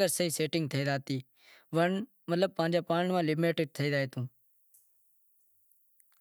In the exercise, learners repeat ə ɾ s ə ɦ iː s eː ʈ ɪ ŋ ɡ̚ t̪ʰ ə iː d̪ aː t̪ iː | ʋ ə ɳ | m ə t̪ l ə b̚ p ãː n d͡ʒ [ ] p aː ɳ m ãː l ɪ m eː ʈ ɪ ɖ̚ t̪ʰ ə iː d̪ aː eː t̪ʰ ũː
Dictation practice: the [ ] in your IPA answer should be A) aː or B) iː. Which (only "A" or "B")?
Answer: A